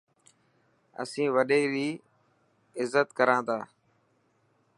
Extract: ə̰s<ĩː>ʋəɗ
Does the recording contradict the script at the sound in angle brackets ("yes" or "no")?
no